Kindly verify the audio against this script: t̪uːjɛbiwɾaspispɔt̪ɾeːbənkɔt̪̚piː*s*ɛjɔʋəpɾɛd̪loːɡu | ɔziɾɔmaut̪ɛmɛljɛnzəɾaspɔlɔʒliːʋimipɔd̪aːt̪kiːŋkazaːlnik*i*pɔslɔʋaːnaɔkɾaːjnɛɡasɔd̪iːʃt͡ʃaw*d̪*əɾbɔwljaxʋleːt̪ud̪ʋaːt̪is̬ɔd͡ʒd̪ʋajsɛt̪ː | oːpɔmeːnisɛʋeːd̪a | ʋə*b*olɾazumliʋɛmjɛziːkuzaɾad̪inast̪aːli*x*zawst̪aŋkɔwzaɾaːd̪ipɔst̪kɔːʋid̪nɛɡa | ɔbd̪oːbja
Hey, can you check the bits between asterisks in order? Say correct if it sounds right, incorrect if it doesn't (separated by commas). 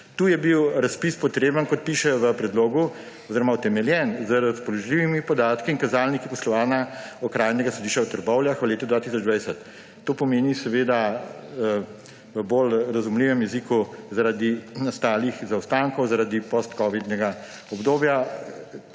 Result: incorrect, correct, incorrect, correct, correct